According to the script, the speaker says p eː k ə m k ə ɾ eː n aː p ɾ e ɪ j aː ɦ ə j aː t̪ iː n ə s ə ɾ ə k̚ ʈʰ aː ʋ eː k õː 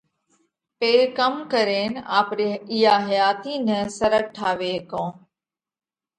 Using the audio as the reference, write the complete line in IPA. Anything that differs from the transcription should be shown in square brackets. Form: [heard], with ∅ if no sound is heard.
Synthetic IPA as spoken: p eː k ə m k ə ɾ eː n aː p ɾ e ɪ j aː ɦ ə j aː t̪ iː n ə s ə ɾ ə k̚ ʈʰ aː ʋ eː k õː